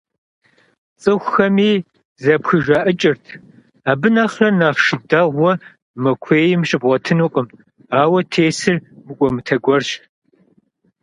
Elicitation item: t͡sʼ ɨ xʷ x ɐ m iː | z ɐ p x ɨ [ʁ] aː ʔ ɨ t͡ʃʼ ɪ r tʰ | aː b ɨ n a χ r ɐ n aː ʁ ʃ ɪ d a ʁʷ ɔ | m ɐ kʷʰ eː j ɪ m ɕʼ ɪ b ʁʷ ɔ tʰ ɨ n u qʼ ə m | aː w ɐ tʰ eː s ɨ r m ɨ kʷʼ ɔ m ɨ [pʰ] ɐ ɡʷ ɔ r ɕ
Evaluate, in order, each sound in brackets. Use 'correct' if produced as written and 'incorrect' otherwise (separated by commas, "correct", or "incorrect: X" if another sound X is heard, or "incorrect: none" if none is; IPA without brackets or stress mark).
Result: incorrect: ʒ, incorrect: tʰ